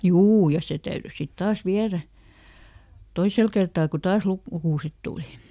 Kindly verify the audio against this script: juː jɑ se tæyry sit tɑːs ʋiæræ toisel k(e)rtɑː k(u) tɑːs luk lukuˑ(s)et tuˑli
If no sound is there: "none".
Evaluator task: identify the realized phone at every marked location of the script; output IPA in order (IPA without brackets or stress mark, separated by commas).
e, u, s